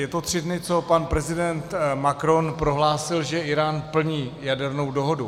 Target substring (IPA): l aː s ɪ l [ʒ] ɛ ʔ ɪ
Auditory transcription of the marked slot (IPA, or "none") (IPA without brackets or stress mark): ʒ